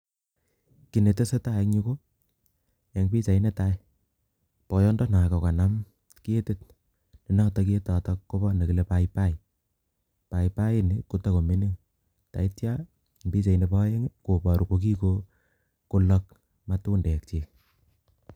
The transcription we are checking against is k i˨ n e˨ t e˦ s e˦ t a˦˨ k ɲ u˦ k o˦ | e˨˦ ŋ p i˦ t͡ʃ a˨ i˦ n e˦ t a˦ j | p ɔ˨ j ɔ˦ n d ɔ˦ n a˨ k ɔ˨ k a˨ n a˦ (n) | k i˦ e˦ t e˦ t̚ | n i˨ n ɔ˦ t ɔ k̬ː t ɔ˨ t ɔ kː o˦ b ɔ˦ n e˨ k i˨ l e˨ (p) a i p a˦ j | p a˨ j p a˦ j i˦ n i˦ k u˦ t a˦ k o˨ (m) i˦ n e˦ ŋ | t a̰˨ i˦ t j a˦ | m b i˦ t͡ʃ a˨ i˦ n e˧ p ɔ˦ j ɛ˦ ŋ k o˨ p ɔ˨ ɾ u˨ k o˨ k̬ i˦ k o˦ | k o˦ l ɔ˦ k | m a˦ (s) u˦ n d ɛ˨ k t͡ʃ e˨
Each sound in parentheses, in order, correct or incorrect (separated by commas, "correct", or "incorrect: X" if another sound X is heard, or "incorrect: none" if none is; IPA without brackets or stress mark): incorrect: m, correct, correct, incorrect: t